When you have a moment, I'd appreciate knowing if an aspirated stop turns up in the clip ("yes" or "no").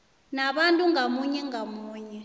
no